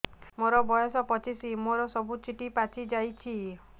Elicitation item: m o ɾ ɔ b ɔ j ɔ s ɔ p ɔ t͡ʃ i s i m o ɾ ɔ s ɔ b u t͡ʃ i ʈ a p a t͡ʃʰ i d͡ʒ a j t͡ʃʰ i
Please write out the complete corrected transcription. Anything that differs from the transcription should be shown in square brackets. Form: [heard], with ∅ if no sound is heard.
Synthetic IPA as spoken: m o ɾ ɔ b ɔ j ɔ s ɔ p ɔ t͡ʃ i s i m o ɾ ɔ s ɔ b u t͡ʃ i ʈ [i] p a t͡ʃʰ i d͡ʒ a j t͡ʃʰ i